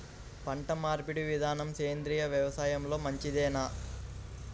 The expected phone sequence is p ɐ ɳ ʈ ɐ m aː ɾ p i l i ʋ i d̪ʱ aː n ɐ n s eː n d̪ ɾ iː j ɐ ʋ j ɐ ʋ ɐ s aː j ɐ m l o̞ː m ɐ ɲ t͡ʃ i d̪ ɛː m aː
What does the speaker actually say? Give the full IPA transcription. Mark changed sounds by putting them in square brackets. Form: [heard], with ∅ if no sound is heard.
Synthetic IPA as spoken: p ɐ ɳ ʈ ɐ m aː ɾ p i [ɽ] i ʋ i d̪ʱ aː n ɐ [m] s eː n d̪ ɾ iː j ɐ ʋ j ɐ ʋ ɐ s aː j ɐ m l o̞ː m ɐ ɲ t͡ʃ i d̪ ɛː [n] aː